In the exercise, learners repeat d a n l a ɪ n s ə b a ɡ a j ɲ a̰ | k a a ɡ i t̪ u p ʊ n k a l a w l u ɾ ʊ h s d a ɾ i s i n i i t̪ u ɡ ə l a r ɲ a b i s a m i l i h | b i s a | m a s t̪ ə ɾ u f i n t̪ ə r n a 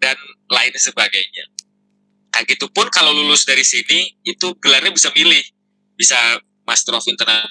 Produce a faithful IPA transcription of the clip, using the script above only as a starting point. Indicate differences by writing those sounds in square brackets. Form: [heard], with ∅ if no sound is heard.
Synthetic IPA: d a n l a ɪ n s ə b a ɡ a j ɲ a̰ | k a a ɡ i t̪ u p ʊ n k a l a w l u [l] ʊ [∅] s d a ɾ i s i n i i t̪ u ɡ ə l a r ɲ a b i s a m i l [ɪ] h | b i s a | m a s t̪ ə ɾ [ɔ] f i n t̪ ə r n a